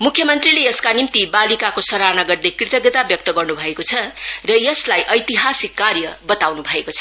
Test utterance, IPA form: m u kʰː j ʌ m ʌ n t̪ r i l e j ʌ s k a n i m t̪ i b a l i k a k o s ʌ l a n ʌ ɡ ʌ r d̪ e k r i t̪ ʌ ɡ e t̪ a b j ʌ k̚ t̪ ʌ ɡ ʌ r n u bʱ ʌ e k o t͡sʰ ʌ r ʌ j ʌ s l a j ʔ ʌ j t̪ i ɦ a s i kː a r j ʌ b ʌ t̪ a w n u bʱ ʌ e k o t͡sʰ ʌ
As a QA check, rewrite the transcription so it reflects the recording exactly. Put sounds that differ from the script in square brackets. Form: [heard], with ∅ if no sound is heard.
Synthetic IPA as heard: m u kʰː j ʌ m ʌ n t̪ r i l e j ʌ s k a n i m t̪ i b a l i k a k o s ʌ [ɾ] a n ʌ ɡ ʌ r d̪ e k r i t̪ ʌ ɡ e t̪ a b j ʌ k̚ t̪ ʌ ɡ ʌ r n u bʱ ʌ e k o t͡sʰ ʌ r ʌ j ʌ s l a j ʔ ʌ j t̪ i ɦ a s i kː a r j ʌ b ʌ t̪ a w n u bʱ ʌ e k o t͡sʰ ʌ